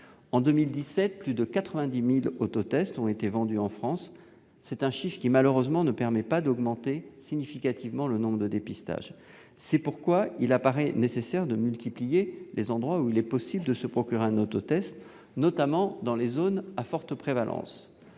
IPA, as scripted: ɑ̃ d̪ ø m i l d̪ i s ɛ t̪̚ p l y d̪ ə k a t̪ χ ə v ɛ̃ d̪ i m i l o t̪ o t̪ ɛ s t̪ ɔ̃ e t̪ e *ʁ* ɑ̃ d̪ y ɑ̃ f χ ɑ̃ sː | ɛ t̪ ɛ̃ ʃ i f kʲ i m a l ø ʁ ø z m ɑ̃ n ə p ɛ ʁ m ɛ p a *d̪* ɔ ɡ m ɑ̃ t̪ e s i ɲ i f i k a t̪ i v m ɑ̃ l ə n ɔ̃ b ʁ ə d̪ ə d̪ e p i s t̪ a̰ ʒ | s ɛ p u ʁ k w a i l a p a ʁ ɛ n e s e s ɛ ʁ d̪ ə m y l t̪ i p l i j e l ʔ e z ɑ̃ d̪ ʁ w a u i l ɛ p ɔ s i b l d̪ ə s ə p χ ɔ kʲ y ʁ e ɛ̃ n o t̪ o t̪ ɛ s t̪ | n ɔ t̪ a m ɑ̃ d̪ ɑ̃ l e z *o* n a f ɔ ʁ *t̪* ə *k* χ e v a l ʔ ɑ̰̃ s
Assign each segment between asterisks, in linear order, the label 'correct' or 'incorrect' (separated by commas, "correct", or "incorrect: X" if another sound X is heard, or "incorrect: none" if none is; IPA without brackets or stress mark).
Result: incorrect: v, correct, correct, correct, incorrect: p